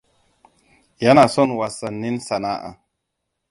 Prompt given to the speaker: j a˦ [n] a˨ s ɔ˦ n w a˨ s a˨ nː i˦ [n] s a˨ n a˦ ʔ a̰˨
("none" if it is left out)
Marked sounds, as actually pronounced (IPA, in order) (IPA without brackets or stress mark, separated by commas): n, n